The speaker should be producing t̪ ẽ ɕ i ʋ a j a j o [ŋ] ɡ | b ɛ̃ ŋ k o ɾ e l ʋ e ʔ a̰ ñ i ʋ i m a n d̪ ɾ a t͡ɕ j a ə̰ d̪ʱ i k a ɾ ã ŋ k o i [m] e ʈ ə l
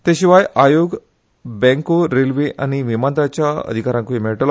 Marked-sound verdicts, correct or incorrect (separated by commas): incorrect, correct